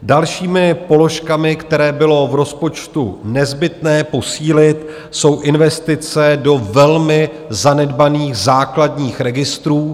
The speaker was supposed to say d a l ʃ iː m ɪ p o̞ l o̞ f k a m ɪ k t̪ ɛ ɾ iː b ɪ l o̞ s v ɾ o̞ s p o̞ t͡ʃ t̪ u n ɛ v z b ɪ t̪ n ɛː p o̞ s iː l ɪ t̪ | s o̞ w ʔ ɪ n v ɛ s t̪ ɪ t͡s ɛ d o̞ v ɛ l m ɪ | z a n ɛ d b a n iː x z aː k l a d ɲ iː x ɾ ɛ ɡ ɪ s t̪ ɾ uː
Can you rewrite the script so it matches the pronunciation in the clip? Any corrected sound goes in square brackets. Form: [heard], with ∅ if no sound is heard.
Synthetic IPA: d a l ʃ iː m ɪ p o̞ l o̞ [ʃ] k a m ɪ k t̪ ɛ ɾ [ɛː] b ɪ l o̞ [∅] v ɾ o̞ s p o̞ t͡ʃ t̪ u n ɛ [∅] z b ɪ t̪ n ɛː p o̞ s iː l ɪ t̪ | s o̞ w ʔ ɪ n v ɛ s t̪ ɪ t͡s ɛ d o̞ v ɛ l m ɪ | z a n ɛ d b a n iː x z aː k l a d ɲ iː x ɾ ɛ ɡ ɪ s t̪ ɾ uː